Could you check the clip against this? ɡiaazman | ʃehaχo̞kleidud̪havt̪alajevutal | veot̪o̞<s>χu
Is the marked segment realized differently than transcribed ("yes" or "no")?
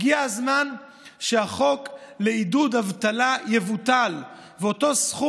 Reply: no